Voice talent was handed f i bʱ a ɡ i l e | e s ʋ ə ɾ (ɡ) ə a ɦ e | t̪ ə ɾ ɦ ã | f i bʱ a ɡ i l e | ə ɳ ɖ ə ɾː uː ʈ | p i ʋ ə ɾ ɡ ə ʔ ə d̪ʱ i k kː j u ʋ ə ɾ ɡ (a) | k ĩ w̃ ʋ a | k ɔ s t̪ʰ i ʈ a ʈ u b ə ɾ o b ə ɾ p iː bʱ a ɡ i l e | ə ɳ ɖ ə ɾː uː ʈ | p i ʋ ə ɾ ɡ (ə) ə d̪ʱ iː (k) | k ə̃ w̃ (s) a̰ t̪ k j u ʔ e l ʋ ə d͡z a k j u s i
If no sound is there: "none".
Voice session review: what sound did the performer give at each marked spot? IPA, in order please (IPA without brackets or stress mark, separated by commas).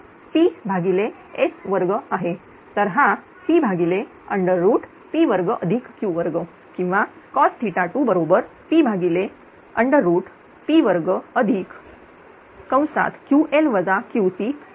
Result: ɡ, ə, ə, k, s